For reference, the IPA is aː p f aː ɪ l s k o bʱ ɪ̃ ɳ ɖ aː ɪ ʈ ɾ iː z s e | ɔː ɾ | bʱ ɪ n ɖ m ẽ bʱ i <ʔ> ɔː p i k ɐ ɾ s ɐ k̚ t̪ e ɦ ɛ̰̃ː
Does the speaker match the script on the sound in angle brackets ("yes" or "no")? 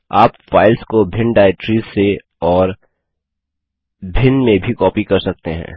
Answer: no